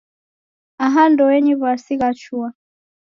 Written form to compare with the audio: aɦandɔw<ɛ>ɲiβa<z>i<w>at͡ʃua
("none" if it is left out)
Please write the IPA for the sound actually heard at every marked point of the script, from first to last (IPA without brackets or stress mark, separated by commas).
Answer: ɛ, s, ɣ